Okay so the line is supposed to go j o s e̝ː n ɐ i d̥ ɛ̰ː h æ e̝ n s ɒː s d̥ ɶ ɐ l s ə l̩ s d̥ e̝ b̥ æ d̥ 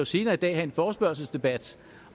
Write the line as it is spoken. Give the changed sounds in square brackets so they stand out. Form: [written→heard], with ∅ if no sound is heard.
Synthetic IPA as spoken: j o s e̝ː n ɐ i d̥ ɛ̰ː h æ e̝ n [s→f] ɒː s [d̥→b̥] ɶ ɐ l s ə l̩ s d̥ e̝ b̥ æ d̥